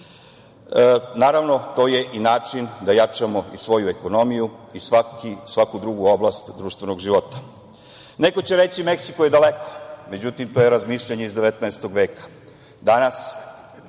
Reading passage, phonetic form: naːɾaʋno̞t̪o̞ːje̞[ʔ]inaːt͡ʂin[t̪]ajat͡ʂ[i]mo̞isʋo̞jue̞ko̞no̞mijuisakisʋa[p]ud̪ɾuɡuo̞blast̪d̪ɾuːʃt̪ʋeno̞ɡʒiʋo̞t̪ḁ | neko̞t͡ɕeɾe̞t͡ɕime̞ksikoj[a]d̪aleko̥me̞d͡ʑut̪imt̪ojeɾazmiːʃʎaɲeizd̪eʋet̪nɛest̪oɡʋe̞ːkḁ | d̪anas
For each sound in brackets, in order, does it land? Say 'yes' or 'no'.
yes, no, no, no, no

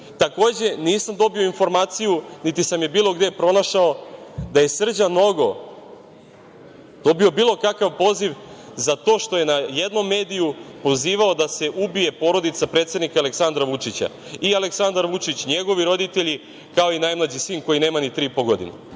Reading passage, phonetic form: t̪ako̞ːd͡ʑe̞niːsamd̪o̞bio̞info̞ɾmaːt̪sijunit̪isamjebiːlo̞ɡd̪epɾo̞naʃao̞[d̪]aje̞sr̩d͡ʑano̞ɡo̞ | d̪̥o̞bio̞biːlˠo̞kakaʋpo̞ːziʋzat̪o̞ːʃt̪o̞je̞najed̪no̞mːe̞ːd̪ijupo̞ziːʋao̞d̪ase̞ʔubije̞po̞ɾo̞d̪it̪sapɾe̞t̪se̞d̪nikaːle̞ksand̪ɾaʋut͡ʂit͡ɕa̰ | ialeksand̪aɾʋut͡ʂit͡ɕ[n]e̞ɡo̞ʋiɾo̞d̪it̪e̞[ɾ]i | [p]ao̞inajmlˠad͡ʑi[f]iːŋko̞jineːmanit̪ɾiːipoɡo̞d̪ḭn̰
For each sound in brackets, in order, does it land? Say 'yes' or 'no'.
yes, no, no, no, no

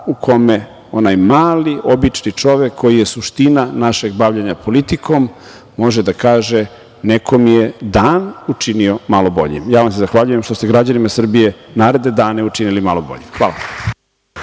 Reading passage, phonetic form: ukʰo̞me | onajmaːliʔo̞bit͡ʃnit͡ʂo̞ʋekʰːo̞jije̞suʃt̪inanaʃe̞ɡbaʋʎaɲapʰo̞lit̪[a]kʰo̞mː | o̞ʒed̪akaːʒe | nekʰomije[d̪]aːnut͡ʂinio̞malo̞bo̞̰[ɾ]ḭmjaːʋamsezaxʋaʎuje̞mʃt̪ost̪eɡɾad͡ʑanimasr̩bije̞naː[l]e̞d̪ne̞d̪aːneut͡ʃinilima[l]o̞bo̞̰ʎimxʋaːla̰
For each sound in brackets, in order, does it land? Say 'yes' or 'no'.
no, yes, no, no, yes

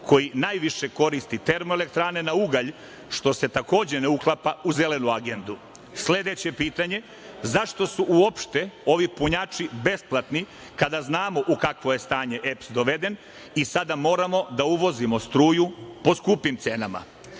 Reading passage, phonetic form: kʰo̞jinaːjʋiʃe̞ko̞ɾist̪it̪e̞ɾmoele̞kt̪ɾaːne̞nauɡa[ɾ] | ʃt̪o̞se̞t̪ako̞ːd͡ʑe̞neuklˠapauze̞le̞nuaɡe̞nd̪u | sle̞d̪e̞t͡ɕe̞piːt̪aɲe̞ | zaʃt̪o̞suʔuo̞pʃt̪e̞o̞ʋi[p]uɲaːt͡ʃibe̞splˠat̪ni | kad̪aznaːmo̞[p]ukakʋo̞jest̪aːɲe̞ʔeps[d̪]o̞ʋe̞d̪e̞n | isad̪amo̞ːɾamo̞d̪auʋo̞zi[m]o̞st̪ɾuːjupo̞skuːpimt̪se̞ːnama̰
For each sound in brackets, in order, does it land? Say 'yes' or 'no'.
no, yes, no, yes, yes

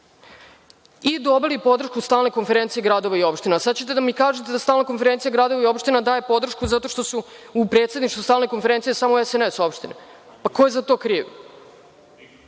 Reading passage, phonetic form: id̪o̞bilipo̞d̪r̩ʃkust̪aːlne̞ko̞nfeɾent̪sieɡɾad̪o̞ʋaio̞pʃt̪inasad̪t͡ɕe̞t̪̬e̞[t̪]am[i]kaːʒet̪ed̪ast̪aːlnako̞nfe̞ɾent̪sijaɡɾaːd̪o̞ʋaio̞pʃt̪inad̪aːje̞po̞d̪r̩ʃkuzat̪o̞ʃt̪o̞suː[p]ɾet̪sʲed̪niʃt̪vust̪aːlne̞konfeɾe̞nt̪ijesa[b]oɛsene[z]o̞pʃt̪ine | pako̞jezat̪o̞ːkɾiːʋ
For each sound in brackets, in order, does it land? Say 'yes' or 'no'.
no, yes, yes, no, no

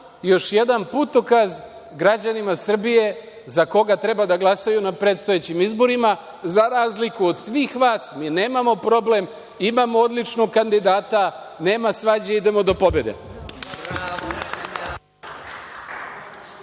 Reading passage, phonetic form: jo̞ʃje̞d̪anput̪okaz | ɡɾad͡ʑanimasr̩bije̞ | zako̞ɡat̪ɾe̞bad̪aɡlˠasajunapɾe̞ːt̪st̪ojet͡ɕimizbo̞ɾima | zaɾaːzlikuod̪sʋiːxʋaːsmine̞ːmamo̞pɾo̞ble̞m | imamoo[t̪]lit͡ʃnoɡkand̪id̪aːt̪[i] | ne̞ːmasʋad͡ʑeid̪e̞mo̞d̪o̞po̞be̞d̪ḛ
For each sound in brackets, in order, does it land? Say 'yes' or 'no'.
no, no

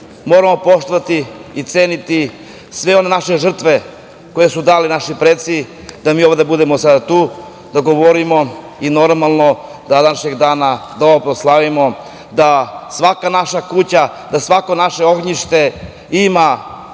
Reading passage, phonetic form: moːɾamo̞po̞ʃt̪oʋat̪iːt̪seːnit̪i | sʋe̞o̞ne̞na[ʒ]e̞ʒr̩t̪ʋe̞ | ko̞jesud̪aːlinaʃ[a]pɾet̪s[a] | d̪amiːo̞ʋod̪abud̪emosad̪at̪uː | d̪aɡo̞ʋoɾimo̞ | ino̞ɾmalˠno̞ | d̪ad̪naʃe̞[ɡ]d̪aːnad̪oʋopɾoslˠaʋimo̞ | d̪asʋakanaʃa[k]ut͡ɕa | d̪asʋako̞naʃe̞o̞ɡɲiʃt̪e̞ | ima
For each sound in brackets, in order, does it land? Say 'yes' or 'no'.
no, no, no, yes, yes

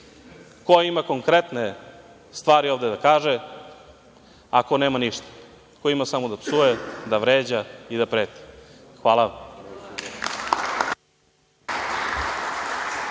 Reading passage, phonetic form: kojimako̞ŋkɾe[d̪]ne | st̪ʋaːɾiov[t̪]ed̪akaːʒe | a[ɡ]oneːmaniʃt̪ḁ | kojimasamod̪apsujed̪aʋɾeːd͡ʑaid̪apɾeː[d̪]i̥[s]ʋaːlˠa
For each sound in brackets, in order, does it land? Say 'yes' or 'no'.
no, no, no, no, no

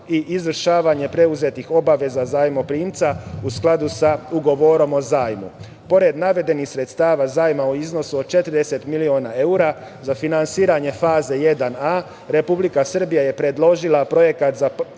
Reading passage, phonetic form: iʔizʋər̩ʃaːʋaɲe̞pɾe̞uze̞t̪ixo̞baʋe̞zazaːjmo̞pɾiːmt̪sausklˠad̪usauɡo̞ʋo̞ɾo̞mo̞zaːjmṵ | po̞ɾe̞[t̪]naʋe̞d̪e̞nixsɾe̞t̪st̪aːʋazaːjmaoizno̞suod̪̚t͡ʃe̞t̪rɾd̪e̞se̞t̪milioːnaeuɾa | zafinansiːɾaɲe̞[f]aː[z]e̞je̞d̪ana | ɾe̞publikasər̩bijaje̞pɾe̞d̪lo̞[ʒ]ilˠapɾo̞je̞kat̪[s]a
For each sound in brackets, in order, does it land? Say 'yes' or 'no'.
no, yes, yes, yes, no

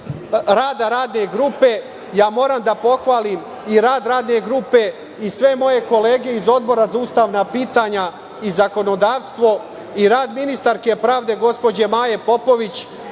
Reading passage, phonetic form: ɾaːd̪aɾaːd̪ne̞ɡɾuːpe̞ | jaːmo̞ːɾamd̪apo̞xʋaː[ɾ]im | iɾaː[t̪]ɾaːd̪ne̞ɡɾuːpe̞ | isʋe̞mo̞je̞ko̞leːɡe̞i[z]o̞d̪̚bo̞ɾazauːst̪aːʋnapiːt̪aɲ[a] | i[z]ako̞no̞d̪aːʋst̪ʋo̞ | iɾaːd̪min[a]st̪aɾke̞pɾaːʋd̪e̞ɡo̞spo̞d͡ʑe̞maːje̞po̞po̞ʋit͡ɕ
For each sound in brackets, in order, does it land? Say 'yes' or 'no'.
no, no, yes, yes, yes, no

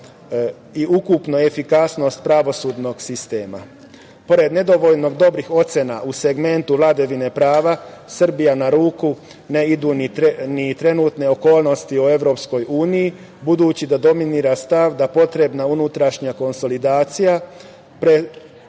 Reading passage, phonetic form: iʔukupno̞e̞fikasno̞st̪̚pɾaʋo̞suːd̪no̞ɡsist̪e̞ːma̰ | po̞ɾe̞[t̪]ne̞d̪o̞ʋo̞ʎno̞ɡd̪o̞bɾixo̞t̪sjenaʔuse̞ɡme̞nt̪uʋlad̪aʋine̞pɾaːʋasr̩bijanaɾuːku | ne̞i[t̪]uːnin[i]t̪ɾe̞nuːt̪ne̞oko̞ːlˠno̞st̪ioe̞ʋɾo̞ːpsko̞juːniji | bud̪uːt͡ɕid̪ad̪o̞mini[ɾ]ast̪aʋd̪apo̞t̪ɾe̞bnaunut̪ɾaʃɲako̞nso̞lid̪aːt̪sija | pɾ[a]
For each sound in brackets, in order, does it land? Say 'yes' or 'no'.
no, no, yes, yes, no

